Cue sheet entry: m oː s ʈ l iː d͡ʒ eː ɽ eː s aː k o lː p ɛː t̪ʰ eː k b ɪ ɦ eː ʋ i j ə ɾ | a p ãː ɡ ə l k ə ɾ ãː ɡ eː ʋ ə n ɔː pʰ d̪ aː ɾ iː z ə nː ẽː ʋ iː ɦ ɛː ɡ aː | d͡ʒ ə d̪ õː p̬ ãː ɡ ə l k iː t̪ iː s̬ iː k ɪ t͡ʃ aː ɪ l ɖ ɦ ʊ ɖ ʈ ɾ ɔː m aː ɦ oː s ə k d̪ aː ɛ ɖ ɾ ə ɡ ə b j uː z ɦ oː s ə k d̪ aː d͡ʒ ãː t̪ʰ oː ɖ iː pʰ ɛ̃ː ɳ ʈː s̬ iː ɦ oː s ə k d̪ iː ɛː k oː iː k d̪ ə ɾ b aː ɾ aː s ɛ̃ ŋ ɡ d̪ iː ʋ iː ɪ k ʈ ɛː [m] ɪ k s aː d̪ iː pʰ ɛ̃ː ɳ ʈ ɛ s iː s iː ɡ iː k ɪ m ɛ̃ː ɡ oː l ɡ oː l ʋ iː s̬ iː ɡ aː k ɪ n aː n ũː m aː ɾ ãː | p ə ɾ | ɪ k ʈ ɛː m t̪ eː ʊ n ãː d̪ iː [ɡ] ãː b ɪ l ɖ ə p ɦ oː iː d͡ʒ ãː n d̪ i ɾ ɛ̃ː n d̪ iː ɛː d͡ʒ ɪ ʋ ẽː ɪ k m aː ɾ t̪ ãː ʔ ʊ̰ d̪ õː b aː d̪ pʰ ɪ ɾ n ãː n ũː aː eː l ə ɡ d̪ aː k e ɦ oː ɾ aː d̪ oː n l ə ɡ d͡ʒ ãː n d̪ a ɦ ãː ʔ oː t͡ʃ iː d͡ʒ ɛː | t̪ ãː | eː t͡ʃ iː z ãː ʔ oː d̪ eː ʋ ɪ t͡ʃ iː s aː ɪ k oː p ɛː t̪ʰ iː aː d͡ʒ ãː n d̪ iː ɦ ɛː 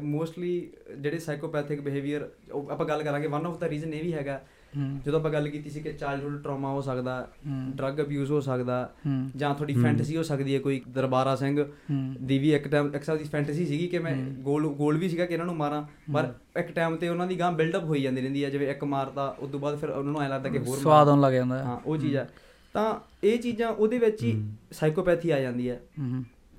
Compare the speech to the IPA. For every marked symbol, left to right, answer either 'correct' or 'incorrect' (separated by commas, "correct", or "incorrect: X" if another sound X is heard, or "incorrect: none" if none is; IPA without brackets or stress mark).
correct, correct